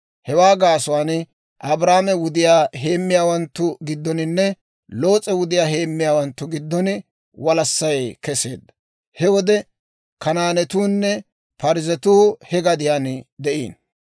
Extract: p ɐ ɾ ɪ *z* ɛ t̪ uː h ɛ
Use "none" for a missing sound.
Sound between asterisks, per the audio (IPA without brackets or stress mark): z